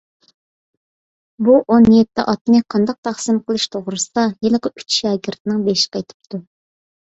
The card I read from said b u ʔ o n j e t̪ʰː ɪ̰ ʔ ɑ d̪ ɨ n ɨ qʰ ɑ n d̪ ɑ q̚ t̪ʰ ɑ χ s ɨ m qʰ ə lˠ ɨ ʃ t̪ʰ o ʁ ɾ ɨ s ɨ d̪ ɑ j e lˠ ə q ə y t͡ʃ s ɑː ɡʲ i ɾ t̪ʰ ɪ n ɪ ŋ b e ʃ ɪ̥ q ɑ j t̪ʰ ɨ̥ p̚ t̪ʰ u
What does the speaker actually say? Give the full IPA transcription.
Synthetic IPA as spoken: b u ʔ o n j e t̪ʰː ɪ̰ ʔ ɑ t̪ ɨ n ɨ qʰ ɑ n d̪ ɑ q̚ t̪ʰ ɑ χ s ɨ m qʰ ə lˠ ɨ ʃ t̪ʰ o ʁ ɾ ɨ s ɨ d̪ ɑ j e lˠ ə q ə y t͡ʃ ʃ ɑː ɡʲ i ɾ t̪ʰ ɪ n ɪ ŋ b e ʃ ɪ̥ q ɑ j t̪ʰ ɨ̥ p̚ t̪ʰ u